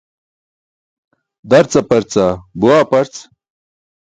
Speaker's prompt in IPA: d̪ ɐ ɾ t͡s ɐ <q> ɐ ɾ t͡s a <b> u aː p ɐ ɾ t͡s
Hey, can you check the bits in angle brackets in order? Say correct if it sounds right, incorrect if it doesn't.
incorrect: p, correct

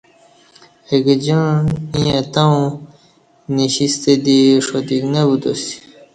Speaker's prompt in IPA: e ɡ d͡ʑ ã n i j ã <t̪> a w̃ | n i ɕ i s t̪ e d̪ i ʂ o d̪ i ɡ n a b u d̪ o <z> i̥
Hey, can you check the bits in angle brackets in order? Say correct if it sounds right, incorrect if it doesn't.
correct, incorrect: s

